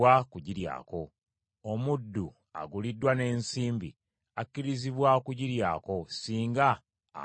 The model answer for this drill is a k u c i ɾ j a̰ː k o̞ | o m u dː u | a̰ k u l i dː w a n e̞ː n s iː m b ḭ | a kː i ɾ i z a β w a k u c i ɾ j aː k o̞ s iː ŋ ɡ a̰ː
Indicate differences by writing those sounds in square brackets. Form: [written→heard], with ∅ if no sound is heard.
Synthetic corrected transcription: a k u [c→ɟ] i ɾ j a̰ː k o̞ | o m u dː u | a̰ [k→ɡ] u l i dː w a n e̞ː n s iː m b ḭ | a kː i ɾ i z [a→i] β w a k u [c→ɟ] i ɾ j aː k o̞ s iː ŋ ɡ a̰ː

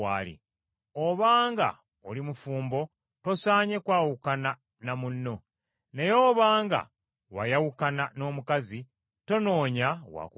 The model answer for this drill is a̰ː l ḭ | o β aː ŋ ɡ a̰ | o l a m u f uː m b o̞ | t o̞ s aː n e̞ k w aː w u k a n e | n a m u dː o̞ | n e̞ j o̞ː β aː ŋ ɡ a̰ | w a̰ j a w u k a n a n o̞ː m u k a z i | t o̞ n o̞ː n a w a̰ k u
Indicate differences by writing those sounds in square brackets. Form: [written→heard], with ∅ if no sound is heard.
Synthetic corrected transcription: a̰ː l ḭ | o β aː ŋ ɡ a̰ | o l [a→i] m u f uː m b o̞ | t o̞ s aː [n→ɲ] e̞ k w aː w u k a n [e→a] | n a m u [dː→nː] o̞ | n e̞ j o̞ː β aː ŋ ɡ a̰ | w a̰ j a w u k a n a n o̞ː m u k a z i | t o̞ n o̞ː [n→ɲ] a w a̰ k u

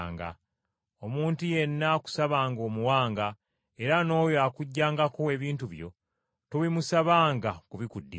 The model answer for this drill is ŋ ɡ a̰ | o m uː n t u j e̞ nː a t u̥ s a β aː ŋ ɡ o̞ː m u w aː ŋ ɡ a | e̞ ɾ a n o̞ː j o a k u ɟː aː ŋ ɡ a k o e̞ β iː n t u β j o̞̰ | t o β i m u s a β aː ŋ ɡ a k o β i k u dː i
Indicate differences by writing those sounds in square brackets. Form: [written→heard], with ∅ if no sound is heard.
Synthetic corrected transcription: ŋ ɡ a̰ | o m uː n t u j e̞ nː a [t→k] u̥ s a β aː ŋ ɡ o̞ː m u w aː ŋ ɡ a | e̞ ɾ a n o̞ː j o a k u ɟː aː ŋ ɡ a k o e̞ β iː n t u β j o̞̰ | t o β i m u s a β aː ŋ ɡ a k [o→u] β i k u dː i

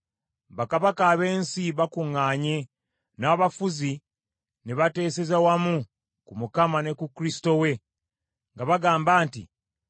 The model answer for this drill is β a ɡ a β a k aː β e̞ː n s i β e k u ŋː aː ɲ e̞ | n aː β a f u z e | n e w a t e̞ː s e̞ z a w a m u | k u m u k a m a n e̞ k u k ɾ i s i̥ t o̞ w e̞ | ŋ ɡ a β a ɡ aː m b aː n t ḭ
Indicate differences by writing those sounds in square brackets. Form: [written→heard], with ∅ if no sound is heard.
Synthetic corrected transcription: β a [ɡ→k] a β a k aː β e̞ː n s i β [e→a] k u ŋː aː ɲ e̞ | n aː β a f u z [e→i] | n e [w→β] a t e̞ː s e̞ z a w a m u | k u m u k a m a n e̞ k u k ɾ i s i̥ t o̞ w e̞ | ŋ ɡ a β a ɡ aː m b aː n t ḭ

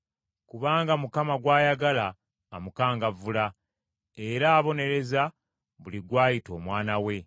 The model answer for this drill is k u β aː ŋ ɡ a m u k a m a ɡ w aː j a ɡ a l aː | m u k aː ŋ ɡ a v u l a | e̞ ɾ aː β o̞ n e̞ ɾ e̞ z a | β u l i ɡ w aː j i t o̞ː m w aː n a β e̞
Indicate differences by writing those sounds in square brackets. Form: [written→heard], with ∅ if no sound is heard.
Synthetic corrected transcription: k u β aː ŋ ɡ a m u k a m a ɡ w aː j a ɡ a l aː | m u k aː ŋ ɡ a v u l a | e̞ ɾ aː β o̞ n e̞ ɾ e̞ z a | β u l i ɡ w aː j i t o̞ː m w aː n a [β→w] e̞

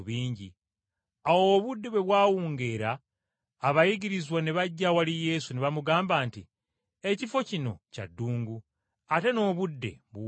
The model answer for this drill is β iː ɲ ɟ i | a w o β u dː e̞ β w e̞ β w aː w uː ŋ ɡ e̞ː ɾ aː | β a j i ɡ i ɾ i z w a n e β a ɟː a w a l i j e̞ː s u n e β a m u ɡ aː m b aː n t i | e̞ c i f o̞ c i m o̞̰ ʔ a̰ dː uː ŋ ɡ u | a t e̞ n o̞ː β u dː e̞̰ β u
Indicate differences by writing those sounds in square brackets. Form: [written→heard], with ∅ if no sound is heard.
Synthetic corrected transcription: β iː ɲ ɟ i | a w o β u dː e̞ β w e̞ β w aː w uː ŋ ɡ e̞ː ɾ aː | β a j i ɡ i ɾ i z w a n e β a ɟː a w a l i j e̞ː s u n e β a m u ɡ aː m b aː n t i | e̞ c i f o̞ c i [m→n] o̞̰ [ʔ→c] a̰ dː uː ŋ ɡ u | a t e̞ n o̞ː β u dː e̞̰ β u

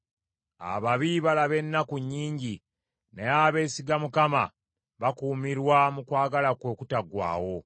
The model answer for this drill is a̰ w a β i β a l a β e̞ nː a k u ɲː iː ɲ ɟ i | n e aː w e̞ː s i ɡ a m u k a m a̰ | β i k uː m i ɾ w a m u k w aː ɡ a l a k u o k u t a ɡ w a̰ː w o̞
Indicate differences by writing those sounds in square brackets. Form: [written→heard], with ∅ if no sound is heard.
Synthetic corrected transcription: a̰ [w→β] a β i β a l a β e̞ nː a k u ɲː iː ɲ ɟ i | n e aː [w→β] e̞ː s i ɡ a m u k a m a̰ | β [i→a] k uː m i ɾ w a m u k w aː ɡ a l a k [u→w] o k u t a ɡ w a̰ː w o̞

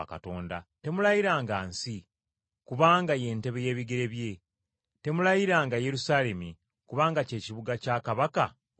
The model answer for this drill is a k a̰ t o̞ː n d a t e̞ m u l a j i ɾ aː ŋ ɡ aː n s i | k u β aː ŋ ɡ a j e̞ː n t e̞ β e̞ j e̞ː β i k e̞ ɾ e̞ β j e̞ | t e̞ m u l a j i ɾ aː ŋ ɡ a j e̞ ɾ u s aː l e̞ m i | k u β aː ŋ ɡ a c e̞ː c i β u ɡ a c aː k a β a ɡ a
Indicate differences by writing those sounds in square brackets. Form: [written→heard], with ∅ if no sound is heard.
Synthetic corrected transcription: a k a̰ t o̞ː n d a t e̞ m u l a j i ɾ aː ŋ ɡ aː n s i | k u β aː ŋ ɡ a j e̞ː n t e̞ β e̞ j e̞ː β i [k→ɡ] e̞ ɾ e̞ β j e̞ | t e̞ m u l a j i ɾ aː ŋ ɡ a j e̞ ɾ u s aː l e̞ m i | k u β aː ŋ ɡ a c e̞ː c i β u ɡ a c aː k a β a [ɡ→k] a

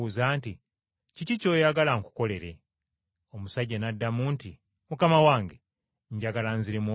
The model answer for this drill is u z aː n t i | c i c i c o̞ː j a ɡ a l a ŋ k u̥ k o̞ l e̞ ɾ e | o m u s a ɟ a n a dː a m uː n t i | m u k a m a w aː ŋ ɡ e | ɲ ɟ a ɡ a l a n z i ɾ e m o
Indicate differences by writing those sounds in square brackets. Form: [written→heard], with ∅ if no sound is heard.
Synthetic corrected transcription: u z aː n t i | c i c i c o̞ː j a ɡ a l a ŋ k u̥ k o̞ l e̞ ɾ e | o m u s a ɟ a n a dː a m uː n t i | m u k a m a w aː ŋ ɡ e | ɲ ɟ a ɡ a l a n z i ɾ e m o

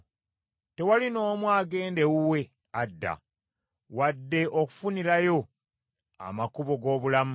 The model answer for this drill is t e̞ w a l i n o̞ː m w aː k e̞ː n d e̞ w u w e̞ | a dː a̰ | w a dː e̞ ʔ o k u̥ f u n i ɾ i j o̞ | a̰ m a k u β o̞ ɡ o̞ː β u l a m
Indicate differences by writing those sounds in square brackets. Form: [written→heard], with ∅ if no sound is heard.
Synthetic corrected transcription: t e̞ w a l i n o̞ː m w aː [k→ɡ] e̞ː n d e̞ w u w e̞ | a dː a̰ | w a dː e̞ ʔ o k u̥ f u n i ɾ [i→a] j o̞ | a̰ m a k u β o̞ ɡ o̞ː β u l a m

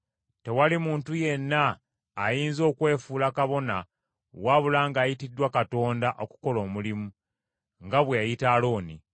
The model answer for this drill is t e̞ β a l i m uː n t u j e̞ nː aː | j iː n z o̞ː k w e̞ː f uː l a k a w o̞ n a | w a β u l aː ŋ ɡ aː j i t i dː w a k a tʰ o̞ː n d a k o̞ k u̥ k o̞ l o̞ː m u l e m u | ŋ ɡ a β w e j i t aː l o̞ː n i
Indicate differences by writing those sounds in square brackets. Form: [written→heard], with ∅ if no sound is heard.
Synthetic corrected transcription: t e̞ [β→w] a l i m uː n t u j e̞ nː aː | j iː n z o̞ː k w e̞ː f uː l a k a [w→β] o̞ n a | w a β u l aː ŋ ɡ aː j i t i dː w a k a [tʰ→t] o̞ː n d a [k→ʔ] o̞ k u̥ k o̞ l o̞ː m u l [e→i] m u | ŋ ɡ a β w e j i t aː l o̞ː n i

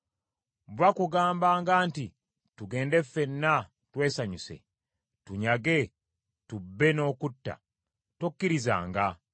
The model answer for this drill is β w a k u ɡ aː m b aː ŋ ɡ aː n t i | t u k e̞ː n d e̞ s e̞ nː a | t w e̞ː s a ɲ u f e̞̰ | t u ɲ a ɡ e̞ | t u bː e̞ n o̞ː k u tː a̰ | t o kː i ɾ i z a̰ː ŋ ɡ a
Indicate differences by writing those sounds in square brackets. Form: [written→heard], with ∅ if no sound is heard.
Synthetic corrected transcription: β w a k u ɡ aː m b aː ŋ ɡ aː n t i | t u [k→ɡ] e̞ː n d e̞ [s→f] e̞ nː a | t w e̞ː s a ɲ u [f→s] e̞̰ | t u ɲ a ɡ e̞ | t u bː e̞ n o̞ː k u tː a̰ | t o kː i ɾ i z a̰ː ŋ ɡ a

